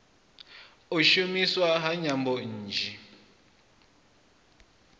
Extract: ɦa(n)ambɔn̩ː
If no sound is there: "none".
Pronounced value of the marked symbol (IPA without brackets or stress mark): ɲ